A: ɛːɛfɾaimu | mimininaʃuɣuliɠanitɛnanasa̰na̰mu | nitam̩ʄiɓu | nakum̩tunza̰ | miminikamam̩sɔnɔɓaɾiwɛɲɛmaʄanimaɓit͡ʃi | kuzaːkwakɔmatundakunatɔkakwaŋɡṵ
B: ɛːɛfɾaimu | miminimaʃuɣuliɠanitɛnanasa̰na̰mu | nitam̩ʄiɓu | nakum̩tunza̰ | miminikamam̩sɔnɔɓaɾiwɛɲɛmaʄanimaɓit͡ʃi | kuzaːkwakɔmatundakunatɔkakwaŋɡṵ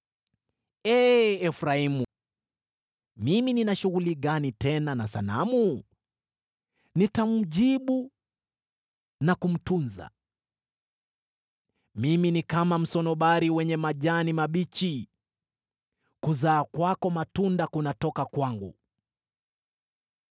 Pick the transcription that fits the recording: A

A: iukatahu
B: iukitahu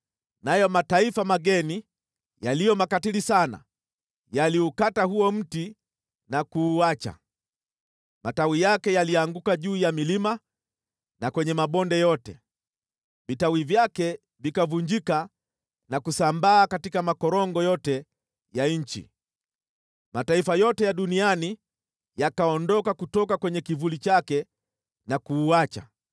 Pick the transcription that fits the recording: A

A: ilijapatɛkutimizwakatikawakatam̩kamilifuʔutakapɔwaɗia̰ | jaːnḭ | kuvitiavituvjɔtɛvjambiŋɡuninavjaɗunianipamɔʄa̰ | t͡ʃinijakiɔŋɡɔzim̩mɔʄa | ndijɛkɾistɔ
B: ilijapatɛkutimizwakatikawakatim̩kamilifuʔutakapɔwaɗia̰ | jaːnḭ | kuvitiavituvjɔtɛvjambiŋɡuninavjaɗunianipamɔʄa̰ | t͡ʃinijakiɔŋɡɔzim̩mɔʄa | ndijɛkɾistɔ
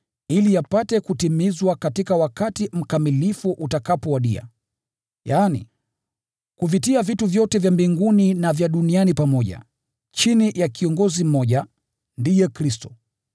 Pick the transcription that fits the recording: B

